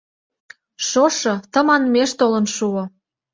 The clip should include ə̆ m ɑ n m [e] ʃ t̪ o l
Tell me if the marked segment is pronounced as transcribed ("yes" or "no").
yes